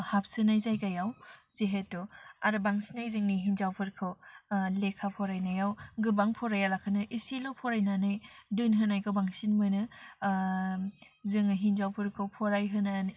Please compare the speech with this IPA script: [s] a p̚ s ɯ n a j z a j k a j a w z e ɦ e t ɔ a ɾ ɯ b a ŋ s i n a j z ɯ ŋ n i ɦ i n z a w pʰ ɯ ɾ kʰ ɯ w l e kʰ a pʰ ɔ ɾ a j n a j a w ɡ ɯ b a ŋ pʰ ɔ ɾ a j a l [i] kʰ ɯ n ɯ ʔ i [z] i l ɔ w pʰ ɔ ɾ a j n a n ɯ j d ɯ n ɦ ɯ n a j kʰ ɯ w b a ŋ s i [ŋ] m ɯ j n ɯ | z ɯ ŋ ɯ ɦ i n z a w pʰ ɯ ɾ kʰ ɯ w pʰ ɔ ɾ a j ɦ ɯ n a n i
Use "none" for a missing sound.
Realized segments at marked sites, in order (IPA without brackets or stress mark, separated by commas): h, a, s, n